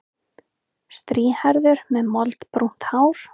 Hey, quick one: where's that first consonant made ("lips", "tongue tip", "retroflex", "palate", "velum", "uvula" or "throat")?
tongue tip